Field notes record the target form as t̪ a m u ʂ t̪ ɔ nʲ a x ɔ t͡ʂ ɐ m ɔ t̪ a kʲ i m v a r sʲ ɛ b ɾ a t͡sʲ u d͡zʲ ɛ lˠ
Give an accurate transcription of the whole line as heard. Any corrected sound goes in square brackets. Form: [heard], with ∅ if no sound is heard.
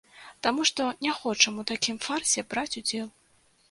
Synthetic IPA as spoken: t̪ a m u ʂ t̪ ɔ nʲ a x ɔ t͡ʂ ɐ m [u] t̪ a kʲ i m [f] a r sʲ ɛ b ɾ a t͡sʲ u d͡zʲ ɛ lˠ